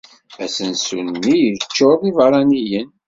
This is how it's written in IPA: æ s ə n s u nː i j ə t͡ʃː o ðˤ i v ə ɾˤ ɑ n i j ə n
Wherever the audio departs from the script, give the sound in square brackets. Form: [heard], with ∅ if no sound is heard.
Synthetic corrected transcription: æ s ə n s u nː i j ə t͡ʃː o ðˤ i v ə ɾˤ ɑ n i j ə n

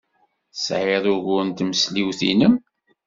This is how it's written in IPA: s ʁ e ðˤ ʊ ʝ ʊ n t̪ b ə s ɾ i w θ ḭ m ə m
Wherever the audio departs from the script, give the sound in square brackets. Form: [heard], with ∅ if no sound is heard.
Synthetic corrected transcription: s [ʕ] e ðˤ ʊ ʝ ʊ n t̪ [m] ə s [l] i w θ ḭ [n] ə m

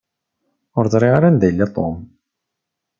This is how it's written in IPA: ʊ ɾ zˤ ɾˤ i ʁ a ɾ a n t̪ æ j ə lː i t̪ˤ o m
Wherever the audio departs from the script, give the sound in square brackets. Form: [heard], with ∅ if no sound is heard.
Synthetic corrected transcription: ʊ ɾ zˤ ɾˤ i ʁ a ɾ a n [d̪] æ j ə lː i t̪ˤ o m

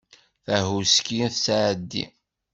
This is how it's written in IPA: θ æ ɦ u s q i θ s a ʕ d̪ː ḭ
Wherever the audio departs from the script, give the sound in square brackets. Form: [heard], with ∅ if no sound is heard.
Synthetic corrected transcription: θ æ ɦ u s [k] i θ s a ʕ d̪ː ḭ

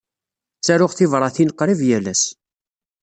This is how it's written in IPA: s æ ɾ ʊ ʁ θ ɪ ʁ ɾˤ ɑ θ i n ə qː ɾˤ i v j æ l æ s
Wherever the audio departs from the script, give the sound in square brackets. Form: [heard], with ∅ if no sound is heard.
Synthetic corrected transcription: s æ ɾ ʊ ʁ θ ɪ [v] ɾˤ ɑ θ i n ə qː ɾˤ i v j æ l æ s

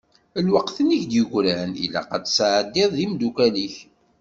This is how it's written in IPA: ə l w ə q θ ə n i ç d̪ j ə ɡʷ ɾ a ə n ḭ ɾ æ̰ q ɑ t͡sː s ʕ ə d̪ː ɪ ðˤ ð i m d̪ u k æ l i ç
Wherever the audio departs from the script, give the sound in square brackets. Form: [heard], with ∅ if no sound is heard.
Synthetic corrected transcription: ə l w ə q θ ə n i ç d̪ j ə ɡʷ ɾ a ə n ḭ [l] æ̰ q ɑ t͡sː s ʕ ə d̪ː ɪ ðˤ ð i m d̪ u k æ l i ç

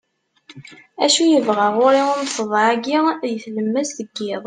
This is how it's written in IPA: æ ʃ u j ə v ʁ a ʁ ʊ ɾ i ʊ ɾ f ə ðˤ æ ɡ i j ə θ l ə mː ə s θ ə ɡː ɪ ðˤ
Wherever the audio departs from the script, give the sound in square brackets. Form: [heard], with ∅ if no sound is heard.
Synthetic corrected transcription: æ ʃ u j ə v ʁ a ʁ ʊ ɾ i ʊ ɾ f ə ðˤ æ ɡ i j ə θ l ə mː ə s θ ə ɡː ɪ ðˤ

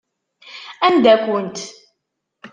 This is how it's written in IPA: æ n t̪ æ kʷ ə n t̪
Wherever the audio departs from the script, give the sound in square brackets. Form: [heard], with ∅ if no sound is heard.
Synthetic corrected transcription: æ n [d̪] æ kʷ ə n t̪

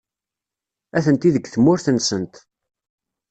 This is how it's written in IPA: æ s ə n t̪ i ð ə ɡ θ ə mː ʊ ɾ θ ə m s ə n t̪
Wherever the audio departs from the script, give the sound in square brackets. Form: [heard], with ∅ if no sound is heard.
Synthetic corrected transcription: æ [θ] ə n t̪ i ð ə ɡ θ ə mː ʊ ɾ θ ə [n] s ə n t̪

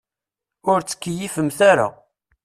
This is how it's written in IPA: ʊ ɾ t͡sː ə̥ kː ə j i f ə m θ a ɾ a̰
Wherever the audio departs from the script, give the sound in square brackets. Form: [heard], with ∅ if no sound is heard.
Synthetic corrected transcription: ʊ ɾ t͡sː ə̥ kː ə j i f ə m θ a ɾ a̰

